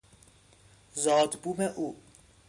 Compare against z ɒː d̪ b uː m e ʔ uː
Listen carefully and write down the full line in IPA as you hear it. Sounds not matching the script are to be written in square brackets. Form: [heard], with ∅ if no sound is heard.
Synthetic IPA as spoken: z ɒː d̪ b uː m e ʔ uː